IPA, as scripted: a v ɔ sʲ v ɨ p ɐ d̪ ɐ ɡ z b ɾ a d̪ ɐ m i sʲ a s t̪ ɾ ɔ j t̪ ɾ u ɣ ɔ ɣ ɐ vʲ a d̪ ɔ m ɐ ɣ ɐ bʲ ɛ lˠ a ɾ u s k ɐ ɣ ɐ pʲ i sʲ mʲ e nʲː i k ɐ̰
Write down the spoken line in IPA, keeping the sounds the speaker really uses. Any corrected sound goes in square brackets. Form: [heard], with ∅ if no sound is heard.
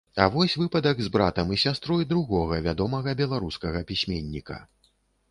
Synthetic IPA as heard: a v ɔ sʲ v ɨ p ɐ d̪ ɐ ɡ z b ɾ a [t̪] ɐ m i sʲ a s t̪ ɾ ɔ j [d̪] ɾ u ɣ ɔ ɣ ɐ vʲ a d̪ ɔ m ɐ ɣ ɐ bʲ ɛ lˠ a ɾ u s k ɐ ɣ ɐ pʲ i sʲ mʲ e nʲː i k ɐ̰